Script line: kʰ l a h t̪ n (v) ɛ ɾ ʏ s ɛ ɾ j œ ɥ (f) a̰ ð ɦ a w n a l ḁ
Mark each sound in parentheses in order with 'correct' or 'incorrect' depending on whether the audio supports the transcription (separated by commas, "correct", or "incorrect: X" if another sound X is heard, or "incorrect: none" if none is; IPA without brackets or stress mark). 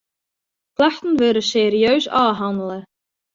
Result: correct, incorrect: s